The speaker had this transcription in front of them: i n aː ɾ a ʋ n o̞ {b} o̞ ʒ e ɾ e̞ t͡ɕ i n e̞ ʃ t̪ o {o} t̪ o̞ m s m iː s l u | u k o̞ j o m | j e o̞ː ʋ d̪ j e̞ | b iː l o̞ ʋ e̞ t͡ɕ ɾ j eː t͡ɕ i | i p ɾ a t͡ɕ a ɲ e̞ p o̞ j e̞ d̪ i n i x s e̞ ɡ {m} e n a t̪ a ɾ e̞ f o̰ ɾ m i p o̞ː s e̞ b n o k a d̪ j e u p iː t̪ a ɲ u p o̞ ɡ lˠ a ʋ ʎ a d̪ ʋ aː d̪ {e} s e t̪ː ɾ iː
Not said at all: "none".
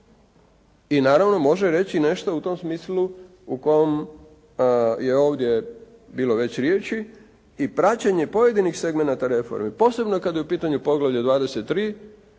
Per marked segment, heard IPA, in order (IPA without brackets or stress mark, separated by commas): m, u, m, e